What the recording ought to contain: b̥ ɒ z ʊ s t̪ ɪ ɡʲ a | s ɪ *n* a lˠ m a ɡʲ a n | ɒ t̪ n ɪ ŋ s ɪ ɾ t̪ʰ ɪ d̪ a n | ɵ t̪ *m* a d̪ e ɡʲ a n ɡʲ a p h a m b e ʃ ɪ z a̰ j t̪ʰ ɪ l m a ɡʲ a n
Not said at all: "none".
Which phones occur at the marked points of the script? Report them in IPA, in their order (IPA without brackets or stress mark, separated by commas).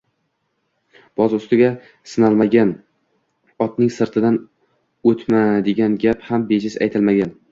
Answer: n, m